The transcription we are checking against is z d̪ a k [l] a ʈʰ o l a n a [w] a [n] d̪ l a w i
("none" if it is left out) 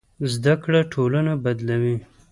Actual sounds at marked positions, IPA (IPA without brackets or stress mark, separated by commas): ɽ, b, none